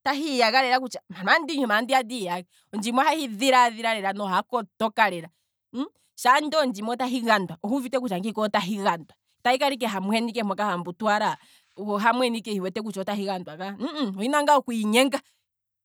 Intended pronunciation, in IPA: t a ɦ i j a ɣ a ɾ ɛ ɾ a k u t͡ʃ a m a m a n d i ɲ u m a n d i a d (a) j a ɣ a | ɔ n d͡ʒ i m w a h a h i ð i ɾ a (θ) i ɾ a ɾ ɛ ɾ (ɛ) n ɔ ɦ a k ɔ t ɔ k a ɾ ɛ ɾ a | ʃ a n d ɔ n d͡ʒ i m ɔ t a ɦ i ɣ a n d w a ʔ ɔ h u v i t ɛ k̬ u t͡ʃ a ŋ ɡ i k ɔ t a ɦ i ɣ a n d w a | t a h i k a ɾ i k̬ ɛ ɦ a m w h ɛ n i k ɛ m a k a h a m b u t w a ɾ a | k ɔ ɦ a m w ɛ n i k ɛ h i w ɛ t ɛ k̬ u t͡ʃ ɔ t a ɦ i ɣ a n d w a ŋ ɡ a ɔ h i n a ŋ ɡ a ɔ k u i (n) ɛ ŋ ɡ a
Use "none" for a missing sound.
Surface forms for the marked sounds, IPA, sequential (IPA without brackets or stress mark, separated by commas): i, ð, a, ɲ